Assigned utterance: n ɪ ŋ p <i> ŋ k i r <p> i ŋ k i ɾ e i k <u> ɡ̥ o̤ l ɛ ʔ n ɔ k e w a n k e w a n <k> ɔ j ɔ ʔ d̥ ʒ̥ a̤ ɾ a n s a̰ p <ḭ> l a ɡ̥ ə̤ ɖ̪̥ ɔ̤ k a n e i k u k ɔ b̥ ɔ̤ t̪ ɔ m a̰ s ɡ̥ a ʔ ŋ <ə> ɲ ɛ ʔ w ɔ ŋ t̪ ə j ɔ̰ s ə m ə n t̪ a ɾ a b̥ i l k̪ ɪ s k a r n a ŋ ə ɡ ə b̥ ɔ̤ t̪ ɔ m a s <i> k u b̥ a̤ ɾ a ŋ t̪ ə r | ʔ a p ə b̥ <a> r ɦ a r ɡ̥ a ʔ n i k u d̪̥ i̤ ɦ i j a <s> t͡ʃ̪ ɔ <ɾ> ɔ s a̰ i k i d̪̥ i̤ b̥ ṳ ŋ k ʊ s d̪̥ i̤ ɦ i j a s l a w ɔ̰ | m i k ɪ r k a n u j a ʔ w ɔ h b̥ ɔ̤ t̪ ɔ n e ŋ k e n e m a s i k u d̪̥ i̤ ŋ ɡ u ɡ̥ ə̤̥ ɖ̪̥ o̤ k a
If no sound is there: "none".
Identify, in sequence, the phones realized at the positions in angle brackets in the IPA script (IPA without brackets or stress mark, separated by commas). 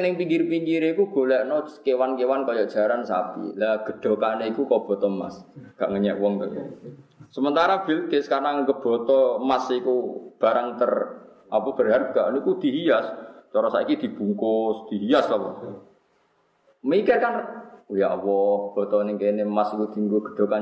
i, p, u, k, ḭ, ə, i, ə, s, ɾ